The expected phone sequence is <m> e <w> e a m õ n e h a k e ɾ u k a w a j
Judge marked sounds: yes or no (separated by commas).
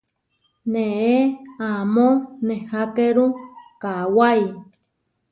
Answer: no, no